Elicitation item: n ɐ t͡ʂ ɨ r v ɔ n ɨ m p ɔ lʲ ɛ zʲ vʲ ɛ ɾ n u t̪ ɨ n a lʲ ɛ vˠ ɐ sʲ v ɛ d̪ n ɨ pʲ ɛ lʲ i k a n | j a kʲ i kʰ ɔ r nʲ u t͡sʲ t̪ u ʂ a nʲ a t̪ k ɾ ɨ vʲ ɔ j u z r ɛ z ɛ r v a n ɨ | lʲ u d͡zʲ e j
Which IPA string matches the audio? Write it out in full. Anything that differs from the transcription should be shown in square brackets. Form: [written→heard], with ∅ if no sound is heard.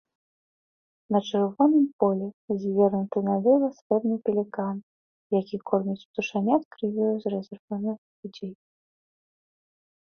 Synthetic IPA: n ɐ t͡ʂ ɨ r v ɔ n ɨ m p ɔ lʲ ɛ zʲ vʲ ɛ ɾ n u t̪ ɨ n a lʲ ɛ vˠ ɐ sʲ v ɛ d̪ n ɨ pʲ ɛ lʲ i k a n | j a kʲ i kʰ ɔ r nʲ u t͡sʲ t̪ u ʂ a nʲ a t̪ k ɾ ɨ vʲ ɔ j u z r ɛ z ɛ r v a n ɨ | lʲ u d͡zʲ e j